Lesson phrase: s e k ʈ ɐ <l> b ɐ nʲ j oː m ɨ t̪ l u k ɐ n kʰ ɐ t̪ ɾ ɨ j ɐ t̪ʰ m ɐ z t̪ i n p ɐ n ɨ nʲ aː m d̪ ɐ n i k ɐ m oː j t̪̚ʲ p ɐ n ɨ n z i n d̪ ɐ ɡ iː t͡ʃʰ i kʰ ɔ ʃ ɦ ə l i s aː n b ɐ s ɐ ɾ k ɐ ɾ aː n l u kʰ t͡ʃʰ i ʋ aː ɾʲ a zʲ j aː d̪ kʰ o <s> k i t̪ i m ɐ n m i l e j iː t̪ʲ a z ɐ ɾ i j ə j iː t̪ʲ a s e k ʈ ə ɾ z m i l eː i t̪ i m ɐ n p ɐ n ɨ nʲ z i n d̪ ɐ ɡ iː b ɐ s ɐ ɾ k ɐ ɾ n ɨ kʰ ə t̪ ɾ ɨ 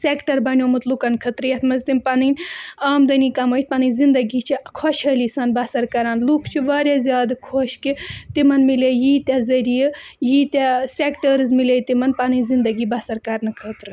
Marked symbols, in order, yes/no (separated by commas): no, no